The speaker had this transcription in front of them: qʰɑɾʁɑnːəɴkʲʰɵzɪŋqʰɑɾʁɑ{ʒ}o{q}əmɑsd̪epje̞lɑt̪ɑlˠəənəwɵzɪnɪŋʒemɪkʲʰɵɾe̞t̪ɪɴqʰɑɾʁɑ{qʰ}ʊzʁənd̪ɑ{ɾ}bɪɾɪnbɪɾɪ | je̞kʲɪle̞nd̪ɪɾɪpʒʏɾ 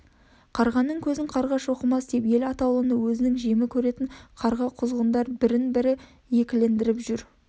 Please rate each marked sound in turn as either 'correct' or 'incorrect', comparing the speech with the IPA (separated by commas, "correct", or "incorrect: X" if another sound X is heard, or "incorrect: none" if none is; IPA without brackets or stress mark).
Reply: incorrect: ʃ, correct, correct, correct